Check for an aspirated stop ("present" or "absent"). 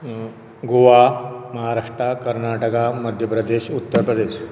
absent